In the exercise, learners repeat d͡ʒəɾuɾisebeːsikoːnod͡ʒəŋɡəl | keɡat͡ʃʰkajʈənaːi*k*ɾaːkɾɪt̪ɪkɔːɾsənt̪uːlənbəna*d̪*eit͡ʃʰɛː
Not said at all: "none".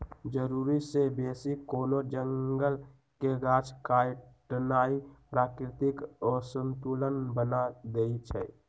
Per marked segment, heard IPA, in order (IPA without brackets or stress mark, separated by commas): p, d̪